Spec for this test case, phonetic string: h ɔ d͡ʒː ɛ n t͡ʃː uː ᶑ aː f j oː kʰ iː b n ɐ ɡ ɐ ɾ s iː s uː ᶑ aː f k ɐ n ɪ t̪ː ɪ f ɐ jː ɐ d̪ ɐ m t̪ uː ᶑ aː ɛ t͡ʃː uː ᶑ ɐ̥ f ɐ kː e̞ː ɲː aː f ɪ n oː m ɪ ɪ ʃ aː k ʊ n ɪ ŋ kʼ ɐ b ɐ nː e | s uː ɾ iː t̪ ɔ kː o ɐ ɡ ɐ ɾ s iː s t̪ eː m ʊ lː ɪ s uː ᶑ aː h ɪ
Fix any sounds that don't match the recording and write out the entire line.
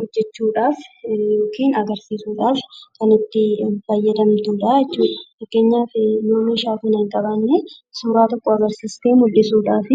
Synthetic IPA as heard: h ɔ d͡ʒː ɛ t͡ʃː uː ᶑ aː f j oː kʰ iː n ɐ ɡ ɐ ɾ s iː s uː ᶑ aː f k ɐ n ɪ t̪ː ɪ f ɐ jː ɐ d̪ ɐ m t̪ uː ᶑ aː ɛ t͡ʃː uː ᶑ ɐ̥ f ɐ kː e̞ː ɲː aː f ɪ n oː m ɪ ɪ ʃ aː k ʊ n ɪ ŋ kʼ ɐ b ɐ nː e | s uː ɾ aː t̪ ɔ kː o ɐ ɡ ɐ ɾ s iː s t̪ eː m ʊ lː ɪ s uː ᶑ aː f ɪ